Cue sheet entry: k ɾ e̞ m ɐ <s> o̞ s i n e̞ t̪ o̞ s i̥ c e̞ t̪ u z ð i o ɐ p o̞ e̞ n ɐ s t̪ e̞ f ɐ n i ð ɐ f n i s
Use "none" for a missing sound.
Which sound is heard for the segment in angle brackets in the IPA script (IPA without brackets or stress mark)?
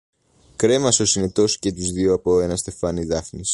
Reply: s